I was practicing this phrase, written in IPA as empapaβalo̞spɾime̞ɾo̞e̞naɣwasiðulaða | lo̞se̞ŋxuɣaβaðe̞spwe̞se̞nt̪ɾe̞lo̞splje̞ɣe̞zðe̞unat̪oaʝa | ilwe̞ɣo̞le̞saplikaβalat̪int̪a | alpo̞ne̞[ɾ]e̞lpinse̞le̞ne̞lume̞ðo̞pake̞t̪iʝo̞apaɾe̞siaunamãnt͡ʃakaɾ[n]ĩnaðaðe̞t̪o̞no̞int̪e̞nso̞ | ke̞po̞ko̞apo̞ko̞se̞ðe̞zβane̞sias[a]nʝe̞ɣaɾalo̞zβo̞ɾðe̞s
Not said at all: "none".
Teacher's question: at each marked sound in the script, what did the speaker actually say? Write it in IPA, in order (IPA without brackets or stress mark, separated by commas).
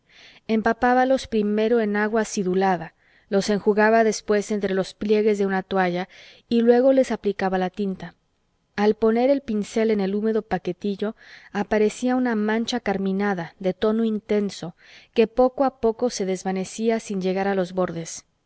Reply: ɾ, m, i